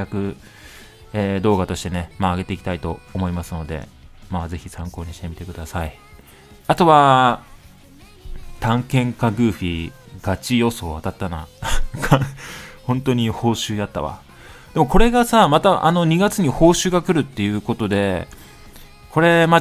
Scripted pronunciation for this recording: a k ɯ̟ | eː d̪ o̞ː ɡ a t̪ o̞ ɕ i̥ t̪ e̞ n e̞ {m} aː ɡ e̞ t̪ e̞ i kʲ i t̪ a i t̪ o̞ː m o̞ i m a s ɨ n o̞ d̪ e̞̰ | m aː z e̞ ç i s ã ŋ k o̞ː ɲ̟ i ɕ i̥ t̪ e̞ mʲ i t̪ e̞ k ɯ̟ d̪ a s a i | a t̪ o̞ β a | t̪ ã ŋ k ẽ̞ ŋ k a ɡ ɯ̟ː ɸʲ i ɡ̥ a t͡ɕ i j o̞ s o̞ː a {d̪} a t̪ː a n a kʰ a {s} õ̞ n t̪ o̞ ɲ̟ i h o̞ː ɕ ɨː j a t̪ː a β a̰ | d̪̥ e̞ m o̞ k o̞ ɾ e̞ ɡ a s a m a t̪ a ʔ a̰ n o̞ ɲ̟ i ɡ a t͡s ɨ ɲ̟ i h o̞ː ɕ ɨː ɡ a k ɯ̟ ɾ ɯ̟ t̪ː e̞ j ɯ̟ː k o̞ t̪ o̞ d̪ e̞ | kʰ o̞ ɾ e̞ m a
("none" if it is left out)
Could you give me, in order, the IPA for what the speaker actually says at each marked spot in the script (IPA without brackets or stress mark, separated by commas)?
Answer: m, t̪, h